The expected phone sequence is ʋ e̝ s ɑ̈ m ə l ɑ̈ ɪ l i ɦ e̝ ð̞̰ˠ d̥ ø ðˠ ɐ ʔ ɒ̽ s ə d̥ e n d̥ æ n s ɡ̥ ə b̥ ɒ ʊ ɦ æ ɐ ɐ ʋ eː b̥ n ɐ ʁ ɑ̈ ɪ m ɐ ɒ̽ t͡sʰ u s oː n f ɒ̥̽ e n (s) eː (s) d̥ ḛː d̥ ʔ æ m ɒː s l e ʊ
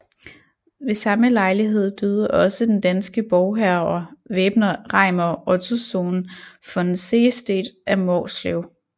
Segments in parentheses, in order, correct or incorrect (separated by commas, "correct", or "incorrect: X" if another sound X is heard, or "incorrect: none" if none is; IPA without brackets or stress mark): correct, correct